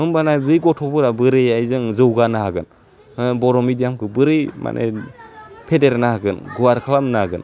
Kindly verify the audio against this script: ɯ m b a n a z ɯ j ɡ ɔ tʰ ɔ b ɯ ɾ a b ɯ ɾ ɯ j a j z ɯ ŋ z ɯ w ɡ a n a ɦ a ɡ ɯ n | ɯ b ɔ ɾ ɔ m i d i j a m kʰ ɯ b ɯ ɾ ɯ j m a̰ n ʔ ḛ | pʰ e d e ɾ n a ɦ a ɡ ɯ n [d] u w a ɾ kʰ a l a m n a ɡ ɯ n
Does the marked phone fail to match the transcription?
yes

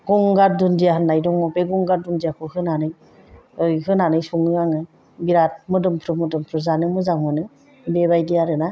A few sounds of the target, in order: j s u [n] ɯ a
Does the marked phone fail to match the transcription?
yes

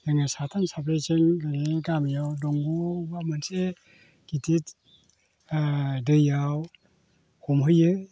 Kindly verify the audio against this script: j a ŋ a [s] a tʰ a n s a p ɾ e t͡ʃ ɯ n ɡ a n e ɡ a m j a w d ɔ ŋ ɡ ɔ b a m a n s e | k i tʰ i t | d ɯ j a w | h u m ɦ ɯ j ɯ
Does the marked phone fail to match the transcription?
no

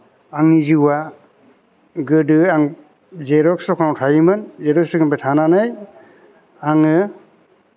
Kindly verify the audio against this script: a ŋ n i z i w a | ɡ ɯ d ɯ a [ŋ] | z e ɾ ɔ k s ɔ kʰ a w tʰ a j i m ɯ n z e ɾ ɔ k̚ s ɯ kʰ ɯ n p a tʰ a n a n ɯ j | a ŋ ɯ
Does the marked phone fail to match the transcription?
no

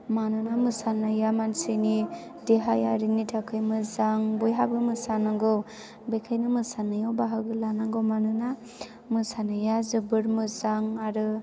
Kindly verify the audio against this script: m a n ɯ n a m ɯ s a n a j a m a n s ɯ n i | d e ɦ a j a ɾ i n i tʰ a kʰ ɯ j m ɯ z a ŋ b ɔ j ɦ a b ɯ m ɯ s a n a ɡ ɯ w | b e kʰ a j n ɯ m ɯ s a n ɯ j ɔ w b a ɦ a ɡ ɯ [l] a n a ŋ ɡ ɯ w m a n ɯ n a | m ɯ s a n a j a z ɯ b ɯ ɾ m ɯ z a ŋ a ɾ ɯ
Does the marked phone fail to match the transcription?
no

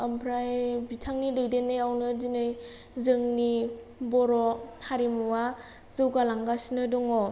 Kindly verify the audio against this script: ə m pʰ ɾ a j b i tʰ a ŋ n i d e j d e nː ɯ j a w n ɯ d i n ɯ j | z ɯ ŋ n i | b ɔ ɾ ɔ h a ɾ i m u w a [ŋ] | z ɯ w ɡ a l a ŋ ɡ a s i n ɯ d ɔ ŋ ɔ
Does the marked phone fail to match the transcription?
yes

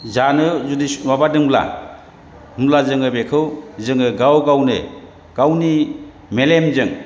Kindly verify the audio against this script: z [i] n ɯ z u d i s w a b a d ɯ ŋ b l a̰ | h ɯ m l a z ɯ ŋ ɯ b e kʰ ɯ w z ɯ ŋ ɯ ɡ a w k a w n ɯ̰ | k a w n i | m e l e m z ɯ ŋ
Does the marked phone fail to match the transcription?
yes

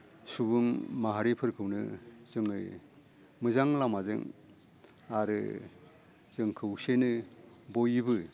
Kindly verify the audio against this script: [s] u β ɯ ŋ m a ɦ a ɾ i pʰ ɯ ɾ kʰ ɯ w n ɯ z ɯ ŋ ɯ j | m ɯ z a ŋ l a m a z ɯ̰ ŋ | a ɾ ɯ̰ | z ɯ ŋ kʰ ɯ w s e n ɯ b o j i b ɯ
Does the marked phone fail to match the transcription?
no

